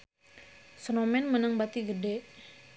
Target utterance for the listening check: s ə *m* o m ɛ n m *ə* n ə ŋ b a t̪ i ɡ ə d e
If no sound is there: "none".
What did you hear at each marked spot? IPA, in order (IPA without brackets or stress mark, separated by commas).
n, ə